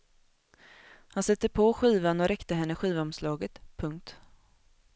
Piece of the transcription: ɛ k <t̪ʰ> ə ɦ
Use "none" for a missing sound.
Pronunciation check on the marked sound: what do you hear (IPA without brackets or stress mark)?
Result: t̪